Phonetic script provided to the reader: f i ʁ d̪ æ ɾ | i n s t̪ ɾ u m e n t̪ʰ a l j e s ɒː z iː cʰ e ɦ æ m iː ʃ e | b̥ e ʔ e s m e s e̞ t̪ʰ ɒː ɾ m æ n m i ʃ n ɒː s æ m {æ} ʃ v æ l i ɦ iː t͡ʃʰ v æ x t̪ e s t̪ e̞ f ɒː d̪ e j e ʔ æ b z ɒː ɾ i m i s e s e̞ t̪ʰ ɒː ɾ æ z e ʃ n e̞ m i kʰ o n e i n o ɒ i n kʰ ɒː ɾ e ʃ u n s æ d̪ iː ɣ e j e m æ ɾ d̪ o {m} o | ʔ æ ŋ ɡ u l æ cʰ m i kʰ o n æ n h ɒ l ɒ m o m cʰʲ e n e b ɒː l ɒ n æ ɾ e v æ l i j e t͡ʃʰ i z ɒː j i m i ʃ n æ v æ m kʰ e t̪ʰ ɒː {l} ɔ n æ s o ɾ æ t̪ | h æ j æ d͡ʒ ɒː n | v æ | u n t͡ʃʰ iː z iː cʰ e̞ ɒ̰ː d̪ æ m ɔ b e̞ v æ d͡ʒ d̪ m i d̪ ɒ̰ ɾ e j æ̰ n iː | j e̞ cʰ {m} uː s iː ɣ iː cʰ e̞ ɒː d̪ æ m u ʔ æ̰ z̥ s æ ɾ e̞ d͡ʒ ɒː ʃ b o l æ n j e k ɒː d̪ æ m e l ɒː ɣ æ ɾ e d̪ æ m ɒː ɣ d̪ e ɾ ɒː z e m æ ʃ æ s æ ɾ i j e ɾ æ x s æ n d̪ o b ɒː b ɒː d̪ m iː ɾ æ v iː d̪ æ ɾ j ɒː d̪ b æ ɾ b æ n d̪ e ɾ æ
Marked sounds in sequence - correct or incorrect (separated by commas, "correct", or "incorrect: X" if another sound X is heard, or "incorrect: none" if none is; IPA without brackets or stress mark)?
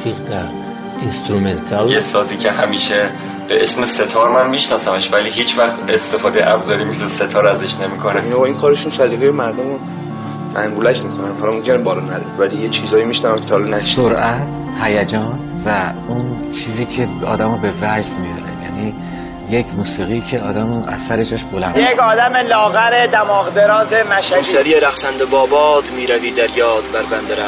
incorrect: e, correct, correct, correct